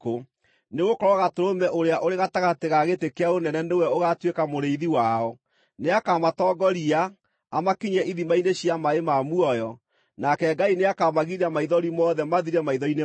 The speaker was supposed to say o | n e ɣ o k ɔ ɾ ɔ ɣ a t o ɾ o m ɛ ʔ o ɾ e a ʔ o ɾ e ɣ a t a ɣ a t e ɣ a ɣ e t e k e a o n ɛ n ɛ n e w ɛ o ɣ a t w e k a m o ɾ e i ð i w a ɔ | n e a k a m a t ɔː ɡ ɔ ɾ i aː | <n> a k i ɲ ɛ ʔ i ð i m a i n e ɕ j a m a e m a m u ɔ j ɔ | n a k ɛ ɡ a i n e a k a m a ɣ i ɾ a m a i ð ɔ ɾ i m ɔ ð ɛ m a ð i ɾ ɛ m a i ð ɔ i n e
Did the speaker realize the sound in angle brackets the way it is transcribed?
no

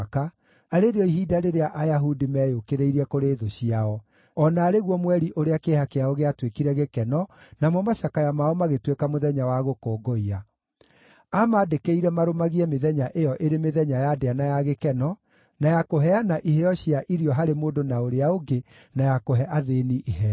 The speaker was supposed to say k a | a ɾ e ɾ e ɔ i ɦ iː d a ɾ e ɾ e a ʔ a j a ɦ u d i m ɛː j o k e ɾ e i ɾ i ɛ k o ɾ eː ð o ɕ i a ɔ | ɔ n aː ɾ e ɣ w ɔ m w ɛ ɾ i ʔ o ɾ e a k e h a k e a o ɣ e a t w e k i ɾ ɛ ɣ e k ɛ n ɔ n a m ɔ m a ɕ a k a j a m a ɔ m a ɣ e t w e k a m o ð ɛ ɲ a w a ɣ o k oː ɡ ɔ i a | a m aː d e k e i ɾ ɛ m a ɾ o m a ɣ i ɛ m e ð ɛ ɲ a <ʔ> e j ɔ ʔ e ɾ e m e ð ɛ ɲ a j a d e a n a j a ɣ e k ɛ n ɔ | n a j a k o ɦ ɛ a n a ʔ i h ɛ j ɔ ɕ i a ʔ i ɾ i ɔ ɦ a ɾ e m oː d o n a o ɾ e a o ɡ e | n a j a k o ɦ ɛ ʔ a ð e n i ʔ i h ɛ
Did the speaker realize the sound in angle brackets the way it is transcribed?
yes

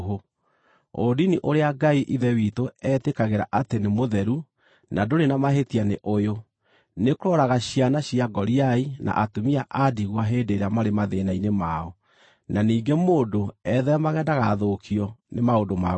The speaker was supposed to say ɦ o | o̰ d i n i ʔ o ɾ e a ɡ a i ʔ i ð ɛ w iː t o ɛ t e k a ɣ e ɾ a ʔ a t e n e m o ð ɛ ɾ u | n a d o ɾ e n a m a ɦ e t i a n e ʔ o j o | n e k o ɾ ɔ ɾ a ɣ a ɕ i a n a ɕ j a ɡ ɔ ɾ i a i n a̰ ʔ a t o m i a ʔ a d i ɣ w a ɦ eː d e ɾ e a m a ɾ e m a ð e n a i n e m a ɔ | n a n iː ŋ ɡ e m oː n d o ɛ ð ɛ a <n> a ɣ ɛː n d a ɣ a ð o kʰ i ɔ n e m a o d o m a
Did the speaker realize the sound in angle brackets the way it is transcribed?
no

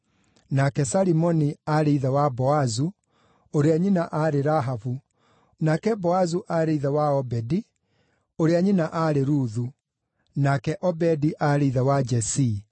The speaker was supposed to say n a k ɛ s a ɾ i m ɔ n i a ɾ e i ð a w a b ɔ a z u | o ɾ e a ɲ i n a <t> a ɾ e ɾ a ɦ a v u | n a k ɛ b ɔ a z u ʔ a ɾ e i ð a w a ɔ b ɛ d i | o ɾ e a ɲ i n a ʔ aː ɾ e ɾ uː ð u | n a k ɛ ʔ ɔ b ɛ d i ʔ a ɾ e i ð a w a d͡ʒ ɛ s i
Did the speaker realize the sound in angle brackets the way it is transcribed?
no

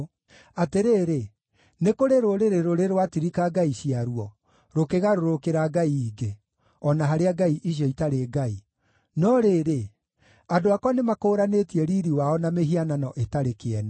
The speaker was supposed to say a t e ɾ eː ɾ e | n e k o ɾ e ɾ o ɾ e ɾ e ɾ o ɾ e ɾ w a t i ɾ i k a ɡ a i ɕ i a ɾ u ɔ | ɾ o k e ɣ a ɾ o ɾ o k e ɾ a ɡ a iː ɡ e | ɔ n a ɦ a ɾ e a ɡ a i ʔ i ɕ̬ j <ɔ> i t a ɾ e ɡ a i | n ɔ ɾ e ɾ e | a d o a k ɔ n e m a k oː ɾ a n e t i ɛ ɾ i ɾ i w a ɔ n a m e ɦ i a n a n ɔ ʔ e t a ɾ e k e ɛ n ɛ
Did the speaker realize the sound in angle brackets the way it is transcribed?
yes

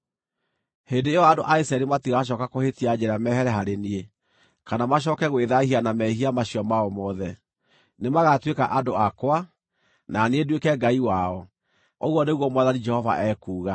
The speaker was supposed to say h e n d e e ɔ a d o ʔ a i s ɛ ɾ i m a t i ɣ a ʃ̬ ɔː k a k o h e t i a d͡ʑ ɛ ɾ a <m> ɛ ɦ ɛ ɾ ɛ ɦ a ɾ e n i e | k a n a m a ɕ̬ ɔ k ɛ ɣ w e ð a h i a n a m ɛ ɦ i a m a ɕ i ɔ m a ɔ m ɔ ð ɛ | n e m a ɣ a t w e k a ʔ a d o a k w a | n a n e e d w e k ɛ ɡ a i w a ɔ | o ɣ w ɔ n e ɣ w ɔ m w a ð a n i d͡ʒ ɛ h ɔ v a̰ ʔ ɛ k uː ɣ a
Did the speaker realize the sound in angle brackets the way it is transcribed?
yes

